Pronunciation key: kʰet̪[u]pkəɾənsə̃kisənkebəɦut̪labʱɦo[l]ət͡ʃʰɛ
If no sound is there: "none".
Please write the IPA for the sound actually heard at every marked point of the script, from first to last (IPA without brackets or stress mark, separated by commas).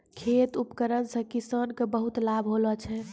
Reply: u, l